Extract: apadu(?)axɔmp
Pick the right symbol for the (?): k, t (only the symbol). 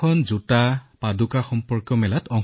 k